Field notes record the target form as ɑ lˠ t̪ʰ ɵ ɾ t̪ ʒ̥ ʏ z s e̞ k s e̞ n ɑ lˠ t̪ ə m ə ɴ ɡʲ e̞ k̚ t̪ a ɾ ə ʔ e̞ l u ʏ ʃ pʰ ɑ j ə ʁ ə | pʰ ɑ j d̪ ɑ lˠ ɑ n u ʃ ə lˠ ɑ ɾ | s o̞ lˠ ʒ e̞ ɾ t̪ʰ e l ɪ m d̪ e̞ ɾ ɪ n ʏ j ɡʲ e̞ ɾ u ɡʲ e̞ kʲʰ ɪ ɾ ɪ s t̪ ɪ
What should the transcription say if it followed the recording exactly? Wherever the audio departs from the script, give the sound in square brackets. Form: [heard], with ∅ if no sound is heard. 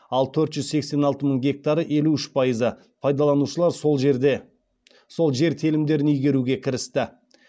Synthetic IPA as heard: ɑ lˠ t̪ʰ ɵ ɾ t̪ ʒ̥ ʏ z s e̞ k s e̞ n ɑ lˠ t̪ ə m ə ɴ ɡʲ e̞ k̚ t̪ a ɾ ə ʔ e̞ l u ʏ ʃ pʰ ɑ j ə [z] ə | pʰ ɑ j d̪ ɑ lˠ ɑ n u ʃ ə lˠ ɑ ɾ | s o̞ lˠ ʒ e̞ ɾ t̪ʰ e l ɪ m d̪ e̞ ɾ ɪ n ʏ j ɡʲ e̞ ɾ u ɡʲ e̞ kʲʰ ɪ ɾ ɪ s t̪ ɪ